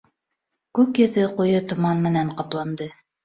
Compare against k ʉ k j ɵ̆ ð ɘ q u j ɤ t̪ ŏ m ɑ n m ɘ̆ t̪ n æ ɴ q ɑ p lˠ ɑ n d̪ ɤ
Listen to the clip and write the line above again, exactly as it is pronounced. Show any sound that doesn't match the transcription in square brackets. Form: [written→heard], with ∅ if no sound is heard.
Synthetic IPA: k ʉ k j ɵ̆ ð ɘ q u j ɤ t̪ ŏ m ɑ n m ɘ̆ [t̪→∅] n æ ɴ q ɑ p lˠ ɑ n d̪ ɤ